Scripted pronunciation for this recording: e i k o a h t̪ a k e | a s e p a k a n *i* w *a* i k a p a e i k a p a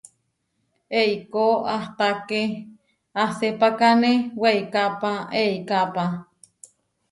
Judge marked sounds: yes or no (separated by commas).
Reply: no, no